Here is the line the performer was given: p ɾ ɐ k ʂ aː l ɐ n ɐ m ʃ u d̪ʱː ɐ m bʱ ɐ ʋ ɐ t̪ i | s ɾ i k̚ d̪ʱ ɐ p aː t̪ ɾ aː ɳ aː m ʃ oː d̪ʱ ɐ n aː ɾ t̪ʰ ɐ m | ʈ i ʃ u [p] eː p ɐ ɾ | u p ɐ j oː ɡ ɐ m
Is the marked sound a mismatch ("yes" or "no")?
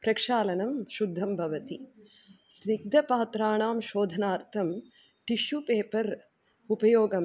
no